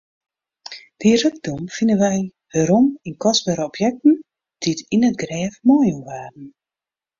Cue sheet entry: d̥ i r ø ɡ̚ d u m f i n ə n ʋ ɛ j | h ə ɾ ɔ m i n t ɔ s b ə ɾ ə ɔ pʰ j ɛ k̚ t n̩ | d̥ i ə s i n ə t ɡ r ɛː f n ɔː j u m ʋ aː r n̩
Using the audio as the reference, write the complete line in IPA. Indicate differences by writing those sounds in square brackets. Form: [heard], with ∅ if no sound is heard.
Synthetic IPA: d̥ i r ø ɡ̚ d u m f i n ə n ʋ ɛ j | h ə ɾ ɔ m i n [k] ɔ s b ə ɾ ə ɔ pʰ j ɛ k̚ t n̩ | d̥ i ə [t] i n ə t ɡ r ɛː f [m] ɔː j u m ʋ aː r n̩